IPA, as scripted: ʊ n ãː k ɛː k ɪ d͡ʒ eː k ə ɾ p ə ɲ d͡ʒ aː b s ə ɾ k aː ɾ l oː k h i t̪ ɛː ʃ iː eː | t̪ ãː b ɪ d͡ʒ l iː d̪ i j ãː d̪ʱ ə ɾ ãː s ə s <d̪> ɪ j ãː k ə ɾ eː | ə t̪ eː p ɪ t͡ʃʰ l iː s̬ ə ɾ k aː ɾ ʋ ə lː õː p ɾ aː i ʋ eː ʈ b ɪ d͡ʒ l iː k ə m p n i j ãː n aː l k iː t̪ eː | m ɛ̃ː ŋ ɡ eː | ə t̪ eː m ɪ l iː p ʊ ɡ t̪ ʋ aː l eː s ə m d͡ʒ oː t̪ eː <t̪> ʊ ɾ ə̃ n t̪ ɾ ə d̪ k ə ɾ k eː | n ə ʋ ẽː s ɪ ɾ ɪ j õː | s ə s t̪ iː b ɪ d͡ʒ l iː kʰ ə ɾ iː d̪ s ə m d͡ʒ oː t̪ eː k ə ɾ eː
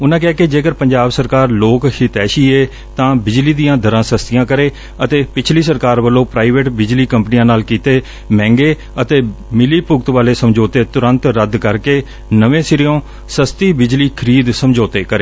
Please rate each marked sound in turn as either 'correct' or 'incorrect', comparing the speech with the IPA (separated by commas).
incorrect, correct